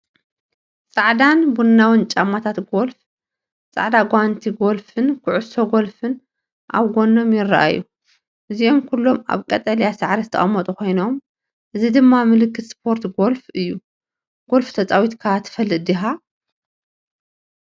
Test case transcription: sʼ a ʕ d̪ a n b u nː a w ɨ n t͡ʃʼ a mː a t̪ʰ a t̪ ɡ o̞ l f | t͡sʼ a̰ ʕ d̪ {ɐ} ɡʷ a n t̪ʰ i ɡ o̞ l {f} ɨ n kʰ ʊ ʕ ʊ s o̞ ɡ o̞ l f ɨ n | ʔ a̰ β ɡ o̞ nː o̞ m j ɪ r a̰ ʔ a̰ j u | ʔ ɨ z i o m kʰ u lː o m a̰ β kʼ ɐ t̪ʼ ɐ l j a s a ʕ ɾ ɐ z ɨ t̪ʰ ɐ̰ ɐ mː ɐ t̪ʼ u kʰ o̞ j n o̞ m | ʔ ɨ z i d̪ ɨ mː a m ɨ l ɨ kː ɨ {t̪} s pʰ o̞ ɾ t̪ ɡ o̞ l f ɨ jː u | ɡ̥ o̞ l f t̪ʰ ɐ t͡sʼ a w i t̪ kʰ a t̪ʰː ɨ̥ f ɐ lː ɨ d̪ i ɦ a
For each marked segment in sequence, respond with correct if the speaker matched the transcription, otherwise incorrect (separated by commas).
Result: incorrect, correct, correct